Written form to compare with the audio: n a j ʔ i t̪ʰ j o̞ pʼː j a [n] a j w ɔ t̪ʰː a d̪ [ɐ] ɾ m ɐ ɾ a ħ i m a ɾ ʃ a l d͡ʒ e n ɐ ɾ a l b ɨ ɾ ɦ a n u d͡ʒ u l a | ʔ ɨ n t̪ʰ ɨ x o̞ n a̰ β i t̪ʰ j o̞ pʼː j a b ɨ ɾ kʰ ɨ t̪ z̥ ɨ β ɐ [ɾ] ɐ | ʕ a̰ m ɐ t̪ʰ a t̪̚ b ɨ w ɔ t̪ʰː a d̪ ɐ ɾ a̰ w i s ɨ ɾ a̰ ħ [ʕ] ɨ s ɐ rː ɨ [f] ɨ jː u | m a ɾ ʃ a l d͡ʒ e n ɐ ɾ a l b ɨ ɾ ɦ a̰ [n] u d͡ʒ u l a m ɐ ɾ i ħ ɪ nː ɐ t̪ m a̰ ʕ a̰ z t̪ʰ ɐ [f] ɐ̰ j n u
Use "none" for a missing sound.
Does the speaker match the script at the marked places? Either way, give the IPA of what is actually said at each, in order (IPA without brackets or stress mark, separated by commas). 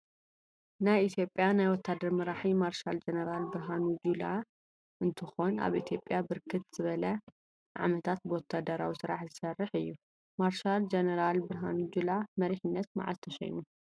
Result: n, ɐ, l, z, ħ, n, ʃ